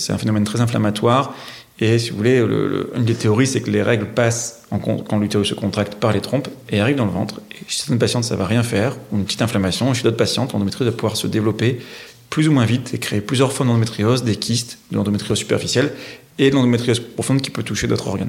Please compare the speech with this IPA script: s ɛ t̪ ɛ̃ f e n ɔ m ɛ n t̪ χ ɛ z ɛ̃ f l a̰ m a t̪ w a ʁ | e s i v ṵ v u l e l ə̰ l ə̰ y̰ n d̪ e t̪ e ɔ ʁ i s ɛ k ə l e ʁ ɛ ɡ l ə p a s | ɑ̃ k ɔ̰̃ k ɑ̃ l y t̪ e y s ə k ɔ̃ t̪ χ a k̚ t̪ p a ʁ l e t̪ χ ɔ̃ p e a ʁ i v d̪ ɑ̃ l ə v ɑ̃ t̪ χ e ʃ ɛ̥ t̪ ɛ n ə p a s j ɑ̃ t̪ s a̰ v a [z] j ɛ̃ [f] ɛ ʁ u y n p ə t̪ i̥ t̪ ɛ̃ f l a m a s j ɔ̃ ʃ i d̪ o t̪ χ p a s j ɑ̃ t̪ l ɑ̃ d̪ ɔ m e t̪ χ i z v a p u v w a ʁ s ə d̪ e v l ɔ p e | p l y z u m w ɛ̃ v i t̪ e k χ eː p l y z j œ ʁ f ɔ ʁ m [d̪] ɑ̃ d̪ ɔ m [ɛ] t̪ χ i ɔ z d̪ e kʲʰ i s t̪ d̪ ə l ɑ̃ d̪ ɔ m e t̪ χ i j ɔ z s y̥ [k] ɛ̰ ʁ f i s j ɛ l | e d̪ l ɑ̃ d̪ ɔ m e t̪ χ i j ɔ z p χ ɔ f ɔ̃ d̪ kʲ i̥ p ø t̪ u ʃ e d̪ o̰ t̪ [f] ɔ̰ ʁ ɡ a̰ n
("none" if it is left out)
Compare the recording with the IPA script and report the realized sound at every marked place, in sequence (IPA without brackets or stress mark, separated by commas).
ʁ, f, d̪, e, p, χ